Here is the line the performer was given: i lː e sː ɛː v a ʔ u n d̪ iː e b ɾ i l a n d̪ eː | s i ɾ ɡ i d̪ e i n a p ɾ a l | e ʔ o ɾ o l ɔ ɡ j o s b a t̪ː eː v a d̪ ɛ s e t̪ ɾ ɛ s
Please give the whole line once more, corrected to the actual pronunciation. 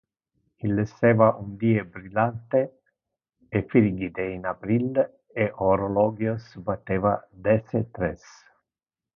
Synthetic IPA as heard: i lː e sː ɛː v a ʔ u n d̪ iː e b ɾ i l a n t̪ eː | f i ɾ ɡ i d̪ e i n a p ɾ i l | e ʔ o ɾ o l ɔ ɡ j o s b a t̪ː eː v a d̪ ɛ s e t̪ ɾ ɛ s